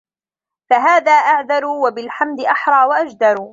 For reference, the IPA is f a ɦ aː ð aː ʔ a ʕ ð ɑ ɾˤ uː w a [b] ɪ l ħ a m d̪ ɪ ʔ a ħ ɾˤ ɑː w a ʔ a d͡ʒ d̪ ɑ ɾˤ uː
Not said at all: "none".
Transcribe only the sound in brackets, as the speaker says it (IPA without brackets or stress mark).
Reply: b